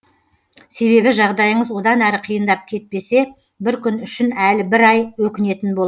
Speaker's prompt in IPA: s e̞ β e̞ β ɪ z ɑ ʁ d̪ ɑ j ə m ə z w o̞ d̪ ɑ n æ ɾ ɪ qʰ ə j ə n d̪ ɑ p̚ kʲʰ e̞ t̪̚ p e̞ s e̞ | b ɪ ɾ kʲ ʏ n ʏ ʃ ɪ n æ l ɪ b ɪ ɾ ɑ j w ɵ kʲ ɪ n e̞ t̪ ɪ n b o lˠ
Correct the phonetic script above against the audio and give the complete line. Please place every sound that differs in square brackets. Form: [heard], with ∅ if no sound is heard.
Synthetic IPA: s e̞ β e̞ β ɪ [ʒ] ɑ ʁ d̪ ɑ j ə [ɴ] ə z w o̞ d̪ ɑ n æ ɾ ɪ qʰ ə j ə n d̪ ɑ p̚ kʲʰ e̞ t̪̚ p e̞ s e̞ | b ɪ ɾ kʲ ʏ n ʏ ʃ ɪ n æ l ɪ b ɪ ɾ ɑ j w ɵ kʲ ɪ n e̞ t̪ ɪ n b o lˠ